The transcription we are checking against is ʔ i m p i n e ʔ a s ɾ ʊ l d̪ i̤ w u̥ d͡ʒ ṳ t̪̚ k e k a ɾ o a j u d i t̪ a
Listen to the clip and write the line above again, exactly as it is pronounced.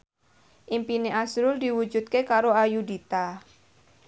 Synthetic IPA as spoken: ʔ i m p i n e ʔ a s ɾ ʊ l d̪ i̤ w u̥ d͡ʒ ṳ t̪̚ k e k a ɾ o a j u d i t̪ a